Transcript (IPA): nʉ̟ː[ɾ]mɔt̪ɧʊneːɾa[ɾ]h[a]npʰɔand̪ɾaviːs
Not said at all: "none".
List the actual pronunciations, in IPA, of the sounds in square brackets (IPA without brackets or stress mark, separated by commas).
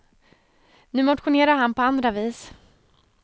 none, ɾ, a